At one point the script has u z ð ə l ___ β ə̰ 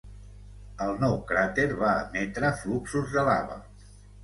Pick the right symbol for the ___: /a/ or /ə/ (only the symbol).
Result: a